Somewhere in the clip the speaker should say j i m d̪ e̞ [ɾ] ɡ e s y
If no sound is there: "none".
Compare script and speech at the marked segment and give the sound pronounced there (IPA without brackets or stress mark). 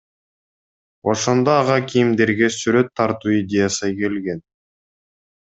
ɾ